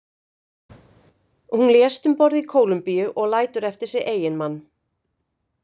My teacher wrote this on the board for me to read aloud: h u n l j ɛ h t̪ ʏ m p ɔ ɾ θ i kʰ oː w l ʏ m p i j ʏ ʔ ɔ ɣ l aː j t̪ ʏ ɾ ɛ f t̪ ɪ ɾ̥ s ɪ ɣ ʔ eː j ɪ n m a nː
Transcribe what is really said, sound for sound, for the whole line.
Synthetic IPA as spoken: h u n l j ɛ s t̪ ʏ m p ɔ ɾ ð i kʰ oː w l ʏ m p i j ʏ ʔ ɔ ɣ l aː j t̪ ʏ ɾ ɛ f t̪ ɪ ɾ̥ s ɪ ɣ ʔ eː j ɪ n m a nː